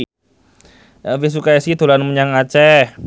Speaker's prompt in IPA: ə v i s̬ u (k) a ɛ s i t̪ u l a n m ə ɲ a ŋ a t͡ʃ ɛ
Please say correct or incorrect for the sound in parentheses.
correct